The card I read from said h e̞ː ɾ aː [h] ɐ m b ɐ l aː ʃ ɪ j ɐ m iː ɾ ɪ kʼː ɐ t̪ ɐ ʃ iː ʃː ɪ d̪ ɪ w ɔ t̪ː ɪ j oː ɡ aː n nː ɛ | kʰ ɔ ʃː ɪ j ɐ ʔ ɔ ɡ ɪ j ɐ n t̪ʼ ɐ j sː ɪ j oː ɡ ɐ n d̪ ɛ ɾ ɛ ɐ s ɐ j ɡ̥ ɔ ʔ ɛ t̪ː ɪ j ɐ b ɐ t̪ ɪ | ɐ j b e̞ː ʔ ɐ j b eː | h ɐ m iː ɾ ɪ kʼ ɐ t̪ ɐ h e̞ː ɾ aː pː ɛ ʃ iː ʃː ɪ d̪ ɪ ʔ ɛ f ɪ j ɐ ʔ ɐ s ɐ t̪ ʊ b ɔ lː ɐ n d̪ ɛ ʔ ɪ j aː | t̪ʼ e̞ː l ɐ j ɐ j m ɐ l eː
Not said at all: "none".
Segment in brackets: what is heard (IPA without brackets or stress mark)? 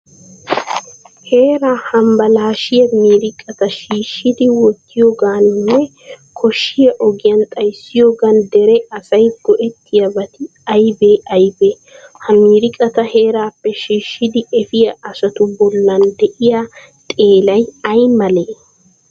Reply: h